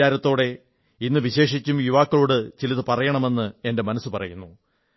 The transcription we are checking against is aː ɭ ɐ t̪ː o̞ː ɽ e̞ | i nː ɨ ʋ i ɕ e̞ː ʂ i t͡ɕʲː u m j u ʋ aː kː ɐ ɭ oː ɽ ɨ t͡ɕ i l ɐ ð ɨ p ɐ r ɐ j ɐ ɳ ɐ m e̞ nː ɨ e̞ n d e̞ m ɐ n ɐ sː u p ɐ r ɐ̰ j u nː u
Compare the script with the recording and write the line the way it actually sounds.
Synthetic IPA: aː ɾ ɐ t̪ː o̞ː ɽ e̞ | i nː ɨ ʋ i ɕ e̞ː ʂ i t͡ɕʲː u m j u ʋ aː kː ɐ ɭ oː ɽ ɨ t͡ɕ i l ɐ ð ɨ p ɐ r ɐ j ɐ ɳ ɐ m e̞ nː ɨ e̞ n d e̞ m ɐ n ɐ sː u p ɐ r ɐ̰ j u nː u